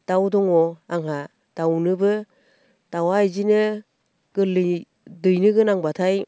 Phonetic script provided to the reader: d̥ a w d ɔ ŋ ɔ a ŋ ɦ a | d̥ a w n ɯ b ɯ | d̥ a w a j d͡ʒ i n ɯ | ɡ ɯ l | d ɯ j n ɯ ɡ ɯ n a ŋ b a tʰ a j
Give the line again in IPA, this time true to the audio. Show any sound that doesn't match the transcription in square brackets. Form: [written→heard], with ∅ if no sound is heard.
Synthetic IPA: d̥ a w d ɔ ŋ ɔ a ŋ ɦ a | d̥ a w n ɯ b ɯ | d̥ a w a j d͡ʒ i n ɯ | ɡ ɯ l | d ɯ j n ɯ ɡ ɯ n a ŋ b a tʰ a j